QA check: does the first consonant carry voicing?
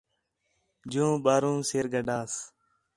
yes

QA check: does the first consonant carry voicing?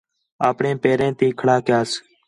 no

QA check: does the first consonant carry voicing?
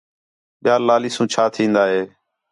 yes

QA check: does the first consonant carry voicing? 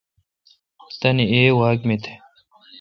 no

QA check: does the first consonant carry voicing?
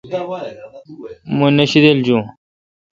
yes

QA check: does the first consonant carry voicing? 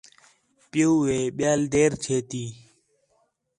no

